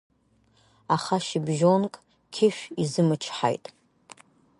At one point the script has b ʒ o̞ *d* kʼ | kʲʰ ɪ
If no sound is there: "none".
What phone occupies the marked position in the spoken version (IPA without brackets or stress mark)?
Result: n